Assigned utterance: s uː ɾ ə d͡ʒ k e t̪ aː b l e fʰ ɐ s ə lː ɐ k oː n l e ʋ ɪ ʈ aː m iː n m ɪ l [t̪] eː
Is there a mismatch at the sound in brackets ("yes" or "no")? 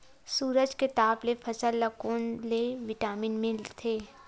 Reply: yes